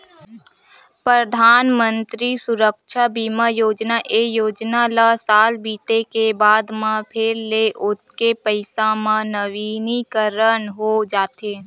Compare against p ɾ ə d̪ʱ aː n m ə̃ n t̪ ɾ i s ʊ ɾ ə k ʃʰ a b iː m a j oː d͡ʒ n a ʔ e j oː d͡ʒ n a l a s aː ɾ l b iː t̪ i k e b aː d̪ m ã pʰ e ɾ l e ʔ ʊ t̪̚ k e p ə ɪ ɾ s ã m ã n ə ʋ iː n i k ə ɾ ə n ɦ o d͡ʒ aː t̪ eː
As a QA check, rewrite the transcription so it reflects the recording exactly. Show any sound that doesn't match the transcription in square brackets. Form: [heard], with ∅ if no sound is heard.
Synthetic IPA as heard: p ɾ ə d̪ʱ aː n m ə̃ n t̪ ɾ i s ʊ ɾ ə k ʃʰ a b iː m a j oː d͡ʒ n a ʔ e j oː d͡ʒ n a l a s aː [∅] l b iː t̪ [e] k e b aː d̪ m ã pʰ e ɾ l e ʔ ʊ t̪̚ k e p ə ɪ [∅] s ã m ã n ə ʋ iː n i k ə ɾ ə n ɦ o d͡ʒ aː t̪ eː